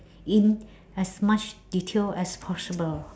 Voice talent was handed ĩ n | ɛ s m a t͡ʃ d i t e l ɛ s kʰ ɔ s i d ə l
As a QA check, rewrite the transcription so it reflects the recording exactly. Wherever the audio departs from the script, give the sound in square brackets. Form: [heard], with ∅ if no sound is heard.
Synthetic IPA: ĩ n | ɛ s m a t͡ʃ d i [tʰ] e l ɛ s [pʰ] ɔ s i [b] ə l

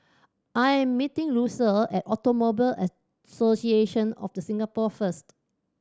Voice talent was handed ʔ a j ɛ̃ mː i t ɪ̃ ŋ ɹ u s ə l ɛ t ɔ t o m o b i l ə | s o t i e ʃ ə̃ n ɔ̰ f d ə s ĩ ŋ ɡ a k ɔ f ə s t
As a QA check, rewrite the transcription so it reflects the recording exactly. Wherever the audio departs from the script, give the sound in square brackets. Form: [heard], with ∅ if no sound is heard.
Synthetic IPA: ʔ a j ɛ̃ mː i t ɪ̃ ŋ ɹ u s ə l ɛ t ɔ t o m o b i l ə | s o [s] i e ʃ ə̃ n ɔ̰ f d ə s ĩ ŋ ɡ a [p] ɔ f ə s t

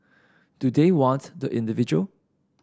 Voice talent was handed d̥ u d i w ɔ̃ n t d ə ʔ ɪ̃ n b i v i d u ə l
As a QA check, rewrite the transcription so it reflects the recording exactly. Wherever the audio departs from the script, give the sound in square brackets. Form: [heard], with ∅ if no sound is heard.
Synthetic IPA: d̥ u d [e] w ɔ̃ n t d ə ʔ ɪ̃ n [d] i v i [d͡ʒ] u ə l

